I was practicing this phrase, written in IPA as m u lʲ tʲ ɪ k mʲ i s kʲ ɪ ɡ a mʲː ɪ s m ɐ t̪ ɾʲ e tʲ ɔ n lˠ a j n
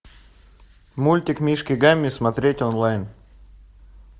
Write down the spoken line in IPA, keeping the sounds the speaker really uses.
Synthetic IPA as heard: m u lʲ tʲ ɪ k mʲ i ʂ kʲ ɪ ɡ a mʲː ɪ s m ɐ t̪ ɾʲ e tʲ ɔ n lˠ a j n